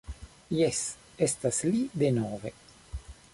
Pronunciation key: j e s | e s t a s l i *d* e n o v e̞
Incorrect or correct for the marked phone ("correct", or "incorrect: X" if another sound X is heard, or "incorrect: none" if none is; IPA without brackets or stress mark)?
correct